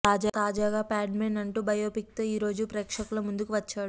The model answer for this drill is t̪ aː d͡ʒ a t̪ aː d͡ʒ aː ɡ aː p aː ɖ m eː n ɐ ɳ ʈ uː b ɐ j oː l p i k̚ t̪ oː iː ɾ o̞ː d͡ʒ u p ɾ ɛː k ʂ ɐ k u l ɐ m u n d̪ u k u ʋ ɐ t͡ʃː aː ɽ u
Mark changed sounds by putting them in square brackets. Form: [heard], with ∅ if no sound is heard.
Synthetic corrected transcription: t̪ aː d͡ʒ a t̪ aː d͡ʒ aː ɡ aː p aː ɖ m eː n ɐ ɳ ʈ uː b ɐ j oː [∅] p i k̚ t̪ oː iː ɾ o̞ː d͡ʒ u p ɾ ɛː k ʂ ɐ k u l ɐ m u n d̪ u k u ʋ ɐ t͡ʃː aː ɽ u